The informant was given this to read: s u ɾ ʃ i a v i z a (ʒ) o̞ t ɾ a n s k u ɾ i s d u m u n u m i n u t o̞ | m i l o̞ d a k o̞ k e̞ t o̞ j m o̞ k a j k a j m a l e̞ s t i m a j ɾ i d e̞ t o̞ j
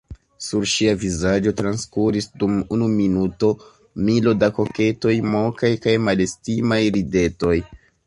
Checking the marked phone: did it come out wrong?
yes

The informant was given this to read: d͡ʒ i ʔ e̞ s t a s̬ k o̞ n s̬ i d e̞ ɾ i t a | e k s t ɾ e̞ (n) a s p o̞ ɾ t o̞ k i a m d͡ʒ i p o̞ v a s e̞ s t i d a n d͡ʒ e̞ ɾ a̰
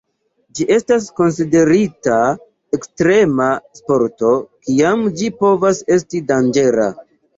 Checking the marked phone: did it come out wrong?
yes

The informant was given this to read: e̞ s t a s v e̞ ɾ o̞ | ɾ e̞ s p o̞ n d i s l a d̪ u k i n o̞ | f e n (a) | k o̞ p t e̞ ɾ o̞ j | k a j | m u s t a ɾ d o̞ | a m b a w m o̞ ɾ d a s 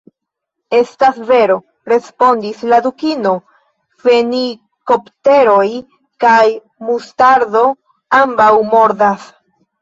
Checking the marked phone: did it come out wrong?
yes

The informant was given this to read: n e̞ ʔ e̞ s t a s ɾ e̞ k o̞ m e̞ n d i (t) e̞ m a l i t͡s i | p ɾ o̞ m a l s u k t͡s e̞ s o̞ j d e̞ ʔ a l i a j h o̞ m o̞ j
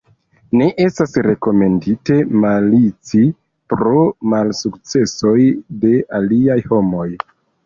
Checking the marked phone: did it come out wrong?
no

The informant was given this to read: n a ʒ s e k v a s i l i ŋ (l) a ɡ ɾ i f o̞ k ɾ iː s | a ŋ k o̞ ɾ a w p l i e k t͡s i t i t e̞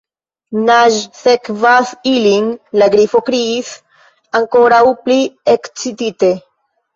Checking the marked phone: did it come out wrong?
no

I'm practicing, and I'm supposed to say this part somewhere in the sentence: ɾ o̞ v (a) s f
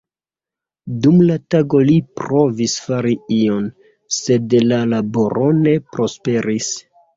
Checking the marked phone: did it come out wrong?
yes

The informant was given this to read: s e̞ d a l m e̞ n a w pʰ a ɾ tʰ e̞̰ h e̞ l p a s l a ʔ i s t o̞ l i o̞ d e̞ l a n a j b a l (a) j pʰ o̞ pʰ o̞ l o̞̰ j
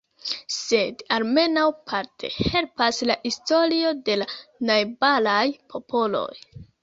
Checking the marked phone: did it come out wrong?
no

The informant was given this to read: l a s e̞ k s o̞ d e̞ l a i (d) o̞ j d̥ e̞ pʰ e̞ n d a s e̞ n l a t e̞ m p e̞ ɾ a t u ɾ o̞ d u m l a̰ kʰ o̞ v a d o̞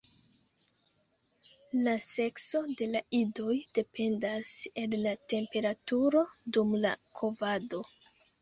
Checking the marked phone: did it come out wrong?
no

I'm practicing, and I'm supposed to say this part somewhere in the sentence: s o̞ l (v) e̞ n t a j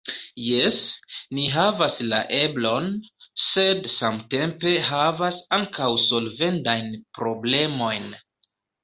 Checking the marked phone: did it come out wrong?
no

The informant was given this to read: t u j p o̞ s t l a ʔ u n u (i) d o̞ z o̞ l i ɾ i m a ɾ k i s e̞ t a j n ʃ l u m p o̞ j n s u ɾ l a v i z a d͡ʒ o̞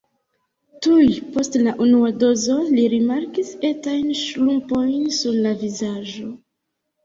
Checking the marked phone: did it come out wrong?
yes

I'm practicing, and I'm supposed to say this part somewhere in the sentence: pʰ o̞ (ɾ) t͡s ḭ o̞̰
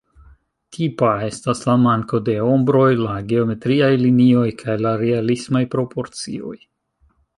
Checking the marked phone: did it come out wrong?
no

